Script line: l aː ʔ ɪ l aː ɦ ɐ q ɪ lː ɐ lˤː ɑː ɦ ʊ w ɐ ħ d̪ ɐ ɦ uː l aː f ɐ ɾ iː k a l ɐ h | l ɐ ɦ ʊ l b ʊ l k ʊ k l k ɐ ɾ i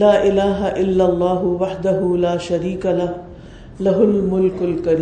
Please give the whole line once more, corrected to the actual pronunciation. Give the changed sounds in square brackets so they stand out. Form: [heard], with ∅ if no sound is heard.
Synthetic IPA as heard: l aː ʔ ɪ l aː ɦ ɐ [ʔ] ɪ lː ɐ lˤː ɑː ɦ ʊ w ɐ ħ d̪ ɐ ɦ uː l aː [ʃ] ɐ ɾ iː k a l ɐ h | l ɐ ɦ ʊ l [m] ʊ l k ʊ [∅] l k ɐ ɾ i